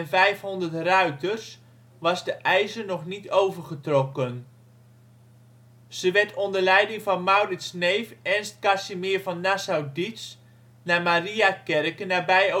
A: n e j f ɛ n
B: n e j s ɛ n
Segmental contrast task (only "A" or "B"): A